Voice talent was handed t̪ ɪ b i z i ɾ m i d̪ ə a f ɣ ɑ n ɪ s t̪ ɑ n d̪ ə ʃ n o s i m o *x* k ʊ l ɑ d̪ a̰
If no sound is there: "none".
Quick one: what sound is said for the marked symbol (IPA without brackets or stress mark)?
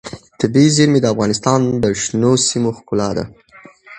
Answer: x